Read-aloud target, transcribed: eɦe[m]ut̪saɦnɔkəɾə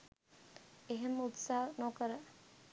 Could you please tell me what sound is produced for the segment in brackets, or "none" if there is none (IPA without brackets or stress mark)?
m